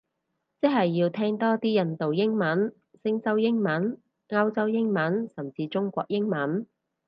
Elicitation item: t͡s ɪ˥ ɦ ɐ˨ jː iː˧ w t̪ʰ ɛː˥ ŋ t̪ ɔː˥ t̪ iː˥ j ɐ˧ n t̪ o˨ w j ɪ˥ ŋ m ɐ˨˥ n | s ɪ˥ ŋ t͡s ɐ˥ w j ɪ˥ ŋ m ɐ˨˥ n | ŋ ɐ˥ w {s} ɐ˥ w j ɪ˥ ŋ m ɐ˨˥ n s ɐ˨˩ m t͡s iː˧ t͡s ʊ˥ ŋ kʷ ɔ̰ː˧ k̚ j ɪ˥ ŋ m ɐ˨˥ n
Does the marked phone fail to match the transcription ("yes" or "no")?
yes